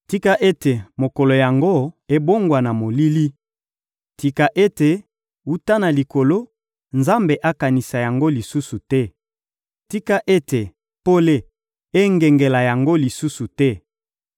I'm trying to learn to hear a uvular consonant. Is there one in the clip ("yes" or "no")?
no